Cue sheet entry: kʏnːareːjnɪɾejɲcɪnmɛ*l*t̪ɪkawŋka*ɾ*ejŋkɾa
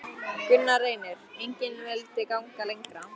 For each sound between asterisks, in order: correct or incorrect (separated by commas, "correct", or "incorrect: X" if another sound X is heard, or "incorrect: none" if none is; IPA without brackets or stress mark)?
correct, incorrect: l